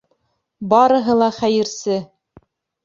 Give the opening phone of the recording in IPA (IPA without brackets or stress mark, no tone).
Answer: b